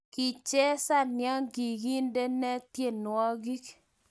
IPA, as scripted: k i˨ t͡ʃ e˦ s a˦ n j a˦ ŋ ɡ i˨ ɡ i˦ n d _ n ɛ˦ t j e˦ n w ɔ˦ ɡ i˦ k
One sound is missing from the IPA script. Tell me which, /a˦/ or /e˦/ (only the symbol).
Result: e˦